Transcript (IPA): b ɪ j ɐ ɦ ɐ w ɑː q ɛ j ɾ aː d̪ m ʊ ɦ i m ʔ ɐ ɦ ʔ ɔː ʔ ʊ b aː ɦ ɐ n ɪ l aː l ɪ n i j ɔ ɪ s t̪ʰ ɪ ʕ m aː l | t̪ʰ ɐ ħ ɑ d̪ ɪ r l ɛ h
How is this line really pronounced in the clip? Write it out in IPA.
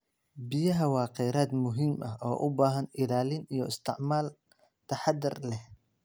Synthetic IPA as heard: b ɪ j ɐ ɦ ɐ w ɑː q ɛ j ɾ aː d̪ m ʊ ɦ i m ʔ ɐ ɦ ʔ ɔː ʔ ʊ b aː ɦ ɐ n ɪ l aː l ɪ n i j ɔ ɪ s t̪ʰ ɪ ʕ m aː l | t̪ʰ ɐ ħ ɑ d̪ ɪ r l ɛ h